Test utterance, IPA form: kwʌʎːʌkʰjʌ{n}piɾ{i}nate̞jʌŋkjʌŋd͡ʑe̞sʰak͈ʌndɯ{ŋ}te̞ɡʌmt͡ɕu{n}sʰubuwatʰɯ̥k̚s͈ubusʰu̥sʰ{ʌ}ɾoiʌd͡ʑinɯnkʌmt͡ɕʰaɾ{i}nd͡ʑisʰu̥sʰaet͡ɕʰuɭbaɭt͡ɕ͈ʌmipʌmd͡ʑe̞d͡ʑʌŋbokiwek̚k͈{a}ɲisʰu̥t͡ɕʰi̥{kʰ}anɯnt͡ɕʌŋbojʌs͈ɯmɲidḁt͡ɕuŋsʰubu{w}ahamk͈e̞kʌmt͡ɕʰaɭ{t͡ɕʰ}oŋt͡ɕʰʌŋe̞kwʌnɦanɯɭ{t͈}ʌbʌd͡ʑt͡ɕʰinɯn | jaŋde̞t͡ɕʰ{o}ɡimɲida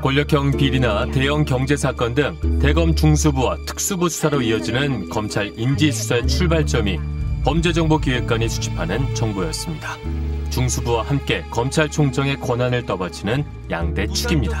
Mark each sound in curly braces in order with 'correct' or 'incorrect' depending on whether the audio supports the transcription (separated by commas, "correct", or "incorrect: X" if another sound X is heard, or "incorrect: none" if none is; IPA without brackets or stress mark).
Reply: incorrect: ŋ, correct, correct, incorrect: ŋ, incorrect: a, correct, correct, incorrect: pʰ, correct, correct, correct, incorrect: u